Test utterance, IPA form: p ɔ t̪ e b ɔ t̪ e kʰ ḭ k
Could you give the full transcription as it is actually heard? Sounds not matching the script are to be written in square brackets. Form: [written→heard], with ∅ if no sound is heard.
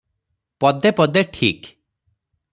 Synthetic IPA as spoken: p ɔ [t̪→d̪] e [b→p] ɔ [t̪→d̪] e [kʰ→ʈʰ] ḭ k